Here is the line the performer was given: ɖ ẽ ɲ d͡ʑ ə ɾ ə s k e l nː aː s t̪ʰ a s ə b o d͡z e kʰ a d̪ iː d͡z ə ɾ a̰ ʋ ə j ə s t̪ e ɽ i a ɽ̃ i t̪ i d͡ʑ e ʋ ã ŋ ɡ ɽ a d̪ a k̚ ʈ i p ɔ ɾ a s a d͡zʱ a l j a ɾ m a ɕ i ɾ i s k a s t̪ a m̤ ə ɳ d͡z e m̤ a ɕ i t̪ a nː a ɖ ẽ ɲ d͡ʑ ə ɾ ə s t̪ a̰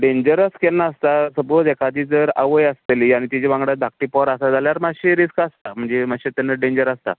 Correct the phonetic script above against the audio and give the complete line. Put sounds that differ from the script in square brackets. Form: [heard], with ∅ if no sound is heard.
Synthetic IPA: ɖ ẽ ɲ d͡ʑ ə ɾ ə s k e l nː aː s [t̪] a s ə b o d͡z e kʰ a d̪ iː d͡z ə ɾ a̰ ʋ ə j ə s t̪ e [l] i a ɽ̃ i t̪ i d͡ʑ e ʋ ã ŋ ɡ ɽ a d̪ a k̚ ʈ i p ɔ ɾ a s a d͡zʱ a l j a ɾ m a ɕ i ɾ i s k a s t̪ a m̤ ə ɳ d͡z e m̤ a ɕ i t̪ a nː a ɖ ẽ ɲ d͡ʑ ə ɾ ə s t̪ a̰

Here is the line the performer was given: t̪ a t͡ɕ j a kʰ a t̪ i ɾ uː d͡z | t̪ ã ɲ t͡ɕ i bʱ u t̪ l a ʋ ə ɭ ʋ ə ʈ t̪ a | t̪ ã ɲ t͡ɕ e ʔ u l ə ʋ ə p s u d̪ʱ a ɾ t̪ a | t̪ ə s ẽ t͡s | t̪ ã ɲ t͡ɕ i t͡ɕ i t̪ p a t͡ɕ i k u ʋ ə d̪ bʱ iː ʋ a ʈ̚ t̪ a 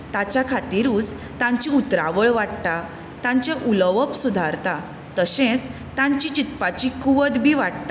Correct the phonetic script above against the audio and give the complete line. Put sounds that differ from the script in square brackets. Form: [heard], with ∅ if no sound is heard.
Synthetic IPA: t̪ a t͡ɕ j a kʰ a t̪ i ɾ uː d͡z | t̪ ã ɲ t͡ɕ i [∅] u t̪ [ɾ] a ʋ ə ɭ ʋ [a] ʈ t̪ a | t̪ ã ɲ t͡ɕ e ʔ u l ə ʋ ə p s u d̪ʱ a ɾ t̪ a | t̪ ə s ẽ t͡s | t̪ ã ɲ t͡ɕ i t͡ɕ i t̪ p a t͡ɕ i k u ʋ ə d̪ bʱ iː ʋ a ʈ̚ t̪ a

